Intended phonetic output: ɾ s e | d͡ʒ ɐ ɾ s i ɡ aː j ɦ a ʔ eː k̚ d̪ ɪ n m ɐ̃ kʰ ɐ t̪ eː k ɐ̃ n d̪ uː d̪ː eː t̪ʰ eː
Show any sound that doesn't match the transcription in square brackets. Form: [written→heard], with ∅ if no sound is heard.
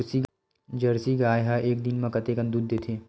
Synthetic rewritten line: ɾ s [e→i] | d͡ʒ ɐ ɾ s i ɡ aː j ɦ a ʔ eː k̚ d̪ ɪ n m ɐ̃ [kʰ→k] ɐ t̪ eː k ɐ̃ n d̪ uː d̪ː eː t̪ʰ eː